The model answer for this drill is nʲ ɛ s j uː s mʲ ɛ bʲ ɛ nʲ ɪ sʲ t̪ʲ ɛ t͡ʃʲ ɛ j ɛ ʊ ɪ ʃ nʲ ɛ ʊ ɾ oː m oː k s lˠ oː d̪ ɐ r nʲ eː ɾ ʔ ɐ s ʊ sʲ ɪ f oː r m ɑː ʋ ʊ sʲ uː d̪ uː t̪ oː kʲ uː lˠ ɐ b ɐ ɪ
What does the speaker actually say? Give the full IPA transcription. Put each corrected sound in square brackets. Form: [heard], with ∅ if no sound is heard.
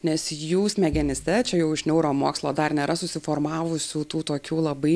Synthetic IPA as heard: nʲ ɛ s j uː s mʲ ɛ [ɡʲ] ɛ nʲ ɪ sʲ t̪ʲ ɛ t͡ʃʲ ɛ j ɛ ʊ ɪ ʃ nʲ ɛ ʊ ɾ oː m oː k s lˠ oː d̪ ɐ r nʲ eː ɾ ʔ ɐ s ʊ sʲ ɪ f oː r m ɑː ʋ ʊ sʲ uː [t̪] uː t̪ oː kʲ uː lˠ ɐ b ɐ ɪ